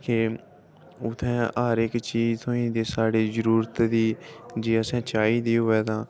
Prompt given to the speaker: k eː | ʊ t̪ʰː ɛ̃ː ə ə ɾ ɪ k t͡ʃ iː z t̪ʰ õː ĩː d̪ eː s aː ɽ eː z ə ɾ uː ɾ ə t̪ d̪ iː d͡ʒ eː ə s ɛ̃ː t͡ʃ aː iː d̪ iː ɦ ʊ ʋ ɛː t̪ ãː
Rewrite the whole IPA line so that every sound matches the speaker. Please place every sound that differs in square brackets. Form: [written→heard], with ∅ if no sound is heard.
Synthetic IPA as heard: k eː | ʊ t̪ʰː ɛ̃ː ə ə ɾ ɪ k t͡ʃ iː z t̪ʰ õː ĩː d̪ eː s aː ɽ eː z ə ɾ uː ɾ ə t̪ d̪ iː d͡ʒ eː ə s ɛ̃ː t͡ʃ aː iː d̪ iː ɦ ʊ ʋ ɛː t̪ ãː